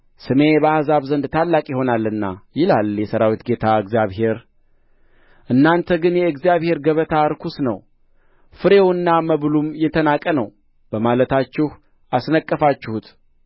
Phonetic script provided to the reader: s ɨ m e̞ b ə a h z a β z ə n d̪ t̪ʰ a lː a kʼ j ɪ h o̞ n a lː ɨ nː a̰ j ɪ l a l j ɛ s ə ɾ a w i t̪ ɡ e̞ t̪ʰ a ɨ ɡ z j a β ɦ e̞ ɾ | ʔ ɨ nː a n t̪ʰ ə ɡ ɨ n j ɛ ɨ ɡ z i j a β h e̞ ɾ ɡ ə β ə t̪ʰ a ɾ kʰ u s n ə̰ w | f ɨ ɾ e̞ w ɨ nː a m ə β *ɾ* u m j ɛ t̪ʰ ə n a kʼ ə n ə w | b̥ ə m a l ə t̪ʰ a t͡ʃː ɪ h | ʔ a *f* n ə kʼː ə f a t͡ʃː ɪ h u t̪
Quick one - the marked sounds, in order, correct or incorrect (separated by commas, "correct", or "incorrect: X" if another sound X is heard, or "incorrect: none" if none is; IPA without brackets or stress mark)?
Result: incorrect: l, incorrect: s